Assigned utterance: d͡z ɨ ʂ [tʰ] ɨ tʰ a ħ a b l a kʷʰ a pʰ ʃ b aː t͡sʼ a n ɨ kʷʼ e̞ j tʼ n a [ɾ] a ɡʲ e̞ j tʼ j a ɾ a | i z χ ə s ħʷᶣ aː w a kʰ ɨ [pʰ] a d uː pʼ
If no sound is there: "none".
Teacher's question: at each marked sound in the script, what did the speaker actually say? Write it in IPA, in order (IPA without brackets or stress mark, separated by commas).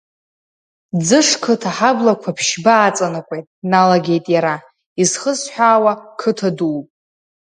kʰ, l, tʰ